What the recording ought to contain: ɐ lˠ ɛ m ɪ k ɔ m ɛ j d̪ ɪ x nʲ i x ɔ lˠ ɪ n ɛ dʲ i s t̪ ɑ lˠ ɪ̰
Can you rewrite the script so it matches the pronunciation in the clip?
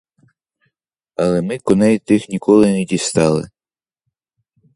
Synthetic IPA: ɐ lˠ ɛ m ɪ k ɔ n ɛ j t̪ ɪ x nʲ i k ɔ lˠ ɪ n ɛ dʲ i s t̪ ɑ lˠ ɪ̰